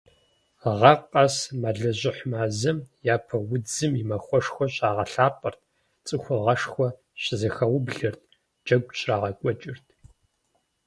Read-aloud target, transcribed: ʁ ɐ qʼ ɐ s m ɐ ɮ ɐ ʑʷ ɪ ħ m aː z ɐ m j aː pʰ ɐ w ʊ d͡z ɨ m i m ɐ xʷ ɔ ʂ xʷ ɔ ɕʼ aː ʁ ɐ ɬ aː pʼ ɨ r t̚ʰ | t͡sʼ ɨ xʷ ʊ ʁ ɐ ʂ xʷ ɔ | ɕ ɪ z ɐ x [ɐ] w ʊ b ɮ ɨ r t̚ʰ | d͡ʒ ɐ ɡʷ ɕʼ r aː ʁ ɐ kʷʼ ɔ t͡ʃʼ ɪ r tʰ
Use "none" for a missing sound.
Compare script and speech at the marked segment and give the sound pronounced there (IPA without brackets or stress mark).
ɐ